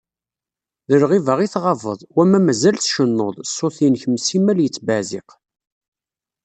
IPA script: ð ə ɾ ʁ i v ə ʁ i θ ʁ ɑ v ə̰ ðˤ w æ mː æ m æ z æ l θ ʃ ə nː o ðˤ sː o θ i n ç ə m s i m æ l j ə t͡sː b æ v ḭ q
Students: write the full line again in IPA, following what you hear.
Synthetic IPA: ð ə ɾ ʁ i v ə ʁ i θ ʁ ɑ v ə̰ ðˤ w æ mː æ m æ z æ l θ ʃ ə nː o ðˤ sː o θ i n ç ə m s i m æ l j ə t͡sː b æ z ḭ q